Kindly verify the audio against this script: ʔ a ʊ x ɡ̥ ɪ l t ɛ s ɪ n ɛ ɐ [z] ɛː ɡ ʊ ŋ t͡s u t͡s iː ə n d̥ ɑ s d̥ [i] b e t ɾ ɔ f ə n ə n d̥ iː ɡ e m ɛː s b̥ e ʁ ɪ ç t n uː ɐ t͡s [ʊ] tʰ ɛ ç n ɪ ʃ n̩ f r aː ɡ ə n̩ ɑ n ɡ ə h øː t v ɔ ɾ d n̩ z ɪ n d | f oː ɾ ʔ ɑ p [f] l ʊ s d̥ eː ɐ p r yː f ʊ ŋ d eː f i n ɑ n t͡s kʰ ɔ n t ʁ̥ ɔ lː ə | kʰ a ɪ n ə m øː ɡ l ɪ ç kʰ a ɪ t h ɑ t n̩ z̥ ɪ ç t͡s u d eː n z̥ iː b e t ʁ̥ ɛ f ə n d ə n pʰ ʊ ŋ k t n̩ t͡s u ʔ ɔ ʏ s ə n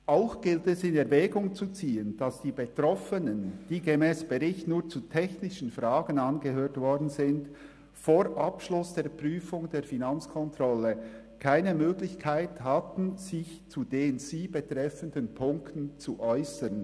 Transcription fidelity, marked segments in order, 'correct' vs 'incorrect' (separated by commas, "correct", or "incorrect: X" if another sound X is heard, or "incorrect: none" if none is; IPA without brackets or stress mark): incorrect: v, incorrect: iː, incorrect: u, incorrect: ʃ